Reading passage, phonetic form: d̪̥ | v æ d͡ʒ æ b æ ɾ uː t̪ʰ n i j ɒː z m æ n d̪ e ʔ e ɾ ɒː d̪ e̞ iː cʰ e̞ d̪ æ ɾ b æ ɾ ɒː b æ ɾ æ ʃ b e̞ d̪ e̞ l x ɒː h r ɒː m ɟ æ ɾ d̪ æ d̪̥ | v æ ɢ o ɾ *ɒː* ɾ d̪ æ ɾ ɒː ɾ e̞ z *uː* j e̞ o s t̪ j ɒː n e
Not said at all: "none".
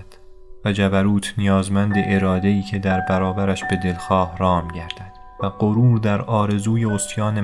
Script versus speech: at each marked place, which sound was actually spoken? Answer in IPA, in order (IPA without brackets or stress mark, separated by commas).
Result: uː, uː